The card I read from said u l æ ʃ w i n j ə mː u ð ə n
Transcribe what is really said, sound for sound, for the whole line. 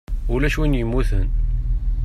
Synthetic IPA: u l æ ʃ w i n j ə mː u θ ə n